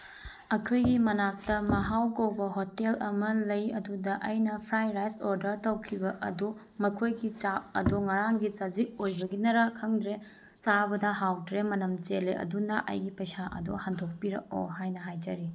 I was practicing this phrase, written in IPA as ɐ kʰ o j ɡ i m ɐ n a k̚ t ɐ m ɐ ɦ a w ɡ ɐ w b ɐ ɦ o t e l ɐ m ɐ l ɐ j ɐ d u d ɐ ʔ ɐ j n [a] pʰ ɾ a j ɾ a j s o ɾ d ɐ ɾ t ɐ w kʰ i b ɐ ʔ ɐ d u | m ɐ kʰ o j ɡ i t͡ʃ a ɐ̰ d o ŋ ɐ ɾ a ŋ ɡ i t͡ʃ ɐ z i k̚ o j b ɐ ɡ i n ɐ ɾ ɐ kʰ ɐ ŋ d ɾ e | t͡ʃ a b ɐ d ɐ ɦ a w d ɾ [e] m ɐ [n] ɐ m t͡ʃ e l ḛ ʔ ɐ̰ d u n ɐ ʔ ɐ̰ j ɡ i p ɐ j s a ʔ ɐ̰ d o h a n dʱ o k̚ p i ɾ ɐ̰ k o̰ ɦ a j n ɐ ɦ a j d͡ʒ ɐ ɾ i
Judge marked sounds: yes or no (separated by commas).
no, yes, yes